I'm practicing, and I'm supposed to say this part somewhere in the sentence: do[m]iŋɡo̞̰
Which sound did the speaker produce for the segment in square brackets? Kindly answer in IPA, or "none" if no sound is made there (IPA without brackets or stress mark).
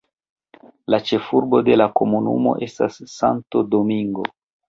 m